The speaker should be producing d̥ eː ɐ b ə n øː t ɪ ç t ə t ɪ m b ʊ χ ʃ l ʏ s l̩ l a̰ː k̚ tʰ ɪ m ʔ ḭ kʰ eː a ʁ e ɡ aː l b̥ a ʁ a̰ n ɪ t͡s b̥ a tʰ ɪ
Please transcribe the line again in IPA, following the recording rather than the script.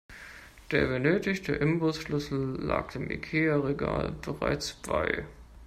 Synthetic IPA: d̥ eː ɐ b ə n øː t ɪ ç t ə ʔ ɪ m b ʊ s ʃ l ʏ s l̩ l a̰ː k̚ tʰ ɪ m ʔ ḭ kʰ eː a ʁ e ɡ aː l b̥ ə ʁ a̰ ɪ t͡s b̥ a ɪ